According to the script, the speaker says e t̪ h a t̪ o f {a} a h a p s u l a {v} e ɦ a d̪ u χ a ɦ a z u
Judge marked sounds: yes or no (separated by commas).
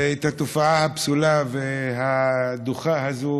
yes, yes